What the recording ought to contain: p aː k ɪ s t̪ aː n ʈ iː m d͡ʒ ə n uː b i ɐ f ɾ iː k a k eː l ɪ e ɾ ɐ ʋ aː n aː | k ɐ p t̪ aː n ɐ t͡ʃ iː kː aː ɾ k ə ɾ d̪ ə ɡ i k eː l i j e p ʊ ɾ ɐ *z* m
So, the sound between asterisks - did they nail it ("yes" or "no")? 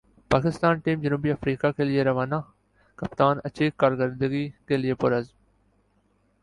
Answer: yes